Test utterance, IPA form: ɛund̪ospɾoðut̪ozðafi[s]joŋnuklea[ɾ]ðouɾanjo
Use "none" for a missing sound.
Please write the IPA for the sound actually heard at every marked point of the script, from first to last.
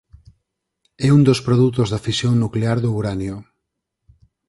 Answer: s, ɾ

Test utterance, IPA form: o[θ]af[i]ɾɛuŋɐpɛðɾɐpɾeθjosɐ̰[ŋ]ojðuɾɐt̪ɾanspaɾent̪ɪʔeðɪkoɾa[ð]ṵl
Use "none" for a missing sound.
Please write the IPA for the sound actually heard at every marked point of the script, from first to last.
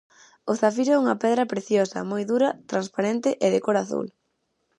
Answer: θ, i, m, θ

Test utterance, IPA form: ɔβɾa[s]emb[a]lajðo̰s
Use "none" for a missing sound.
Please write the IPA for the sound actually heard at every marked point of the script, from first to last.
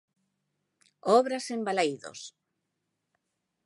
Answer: s, a

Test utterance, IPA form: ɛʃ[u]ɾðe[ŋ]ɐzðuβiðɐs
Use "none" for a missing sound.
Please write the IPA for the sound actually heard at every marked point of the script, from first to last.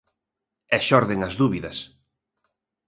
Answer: ɔ, ŋ

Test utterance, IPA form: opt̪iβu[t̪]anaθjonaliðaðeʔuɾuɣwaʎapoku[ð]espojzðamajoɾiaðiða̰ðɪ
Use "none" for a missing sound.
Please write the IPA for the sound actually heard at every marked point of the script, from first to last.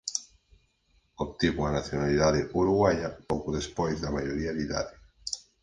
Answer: none, ð

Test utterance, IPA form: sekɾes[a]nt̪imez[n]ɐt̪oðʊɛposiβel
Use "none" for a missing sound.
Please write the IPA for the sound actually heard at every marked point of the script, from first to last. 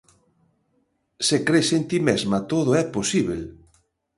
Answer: e, m

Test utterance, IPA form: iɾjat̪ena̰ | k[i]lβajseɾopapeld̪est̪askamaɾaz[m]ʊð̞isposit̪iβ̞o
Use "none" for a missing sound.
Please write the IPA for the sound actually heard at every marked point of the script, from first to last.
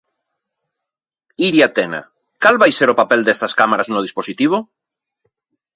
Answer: a, n

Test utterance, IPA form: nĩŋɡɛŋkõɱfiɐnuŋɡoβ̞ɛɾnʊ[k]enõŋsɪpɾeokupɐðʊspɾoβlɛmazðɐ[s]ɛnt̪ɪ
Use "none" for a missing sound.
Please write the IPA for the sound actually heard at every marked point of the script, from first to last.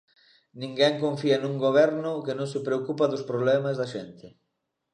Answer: k, ʃ

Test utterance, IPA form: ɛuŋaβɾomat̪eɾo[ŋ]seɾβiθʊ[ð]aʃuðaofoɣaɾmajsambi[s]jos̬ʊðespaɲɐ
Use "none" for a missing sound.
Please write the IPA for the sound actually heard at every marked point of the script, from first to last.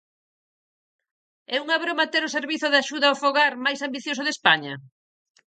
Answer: none, ð, θ

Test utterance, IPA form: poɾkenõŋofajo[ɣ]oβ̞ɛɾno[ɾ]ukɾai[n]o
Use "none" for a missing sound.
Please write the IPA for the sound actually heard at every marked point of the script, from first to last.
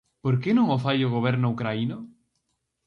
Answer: ɣ, none, n

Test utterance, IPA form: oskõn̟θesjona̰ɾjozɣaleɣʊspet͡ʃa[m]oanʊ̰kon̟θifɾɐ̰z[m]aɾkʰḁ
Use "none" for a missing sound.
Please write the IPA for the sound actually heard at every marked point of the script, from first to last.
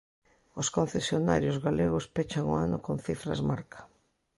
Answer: ŋ, m

